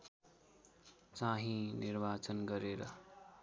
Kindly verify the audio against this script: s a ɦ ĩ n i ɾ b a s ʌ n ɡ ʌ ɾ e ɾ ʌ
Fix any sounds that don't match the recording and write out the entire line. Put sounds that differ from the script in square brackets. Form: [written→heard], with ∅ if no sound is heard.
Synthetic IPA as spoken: [s→t͡s] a ɦ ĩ n i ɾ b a [s→t͡s] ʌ n ɡ ʌ ɾ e ɾ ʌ